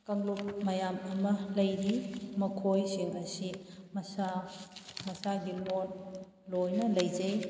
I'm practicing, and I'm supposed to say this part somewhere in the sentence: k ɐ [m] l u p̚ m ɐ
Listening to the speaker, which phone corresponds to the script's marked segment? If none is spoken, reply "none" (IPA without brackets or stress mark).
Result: ŋ